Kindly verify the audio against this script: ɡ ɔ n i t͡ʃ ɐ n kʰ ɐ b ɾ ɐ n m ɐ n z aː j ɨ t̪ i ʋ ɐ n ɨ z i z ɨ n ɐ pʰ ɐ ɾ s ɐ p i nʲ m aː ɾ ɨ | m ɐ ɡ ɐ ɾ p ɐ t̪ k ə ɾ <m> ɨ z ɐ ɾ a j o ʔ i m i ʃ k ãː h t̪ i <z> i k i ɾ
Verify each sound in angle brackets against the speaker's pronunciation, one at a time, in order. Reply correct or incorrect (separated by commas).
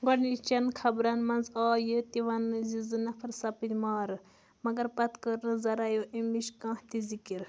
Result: incorrect, correct